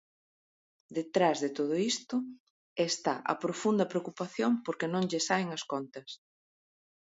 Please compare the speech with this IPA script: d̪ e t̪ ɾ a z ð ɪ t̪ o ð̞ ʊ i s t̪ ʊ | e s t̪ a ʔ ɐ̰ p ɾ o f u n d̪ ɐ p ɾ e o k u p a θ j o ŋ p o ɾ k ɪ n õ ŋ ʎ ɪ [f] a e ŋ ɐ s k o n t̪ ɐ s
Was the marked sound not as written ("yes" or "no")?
yes